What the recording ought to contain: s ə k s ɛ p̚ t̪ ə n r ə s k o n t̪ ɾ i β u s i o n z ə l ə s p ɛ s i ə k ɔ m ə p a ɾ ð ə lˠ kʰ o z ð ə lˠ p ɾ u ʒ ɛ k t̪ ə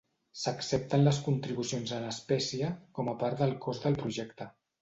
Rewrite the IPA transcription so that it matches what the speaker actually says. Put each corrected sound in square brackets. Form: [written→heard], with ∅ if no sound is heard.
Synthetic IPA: s ə k s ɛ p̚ t̪ ə n [r→l] ə s k [o→u] n t̪ ɾ i β u s i o n z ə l ə s p ɛ s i ə k ɔ m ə p a ɾ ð ə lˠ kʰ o z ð ə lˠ p ɾ u ʒ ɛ k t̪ ə